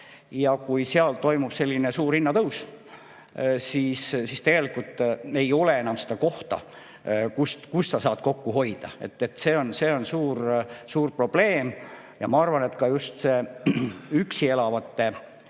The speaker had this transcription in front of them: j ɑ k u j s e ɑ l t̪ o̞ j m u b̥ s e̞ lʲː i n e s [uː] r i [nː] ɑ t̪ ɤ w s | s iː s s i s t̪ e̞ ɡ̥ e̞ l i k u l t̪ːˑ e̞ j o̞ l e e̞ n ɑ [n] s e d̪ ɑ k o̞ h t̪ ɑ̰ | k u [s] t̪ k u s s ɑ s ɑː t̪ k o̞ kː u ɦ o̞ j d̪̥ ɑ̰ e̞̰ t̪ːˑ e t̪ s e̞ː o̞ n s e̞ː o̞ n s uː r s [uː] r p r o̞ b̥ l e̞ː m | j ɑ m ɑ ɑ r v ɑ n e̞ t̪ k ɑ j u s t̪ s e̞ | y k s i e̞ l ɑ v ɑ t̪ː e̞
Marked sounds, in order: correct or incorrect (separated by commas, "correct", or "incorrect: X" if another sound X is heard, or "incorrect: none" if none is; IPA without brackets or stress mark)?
correct, correct, incorrect: m, correct, correct